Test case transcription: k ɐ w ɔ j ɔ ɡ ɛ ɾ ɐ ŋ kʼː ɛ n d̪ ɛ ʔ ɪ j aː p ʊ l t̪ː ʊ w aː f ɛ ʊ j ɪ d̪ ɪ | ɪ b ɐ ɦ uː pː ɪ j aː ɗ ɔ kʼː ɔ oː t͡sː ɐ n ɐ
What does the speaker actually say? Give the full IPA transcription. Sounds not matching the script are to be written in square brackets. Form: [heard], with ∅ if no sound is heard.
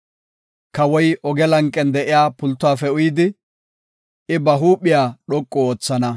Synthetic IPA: k ɐ w ɔ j ɔ ɡ ɛ [l] ɐ ŋ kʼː ɛ n d̪ ɛ ʔ ɪ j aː p ʊ l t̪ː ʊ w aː f ɛ ʊ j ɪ d̪ ɪ | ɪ b ɐ ɦ uː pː ɪ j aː ɗ ɔ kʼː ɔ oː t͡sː ɐ n ɐ